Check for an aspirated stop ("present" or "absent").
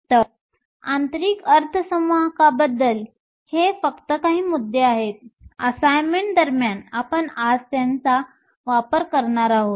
present